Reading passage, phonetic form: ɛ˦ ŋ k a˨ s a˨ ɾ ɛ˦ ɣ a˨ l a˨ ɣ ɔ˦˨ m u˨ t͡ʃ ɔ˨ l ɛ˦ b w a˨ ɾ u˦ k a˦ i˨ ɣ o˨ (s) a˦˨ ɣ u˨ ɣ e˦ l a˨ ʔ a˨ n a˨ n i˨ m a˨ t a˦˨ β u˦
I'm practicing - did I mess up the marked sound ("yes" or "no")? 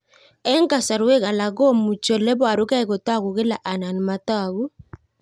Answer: yes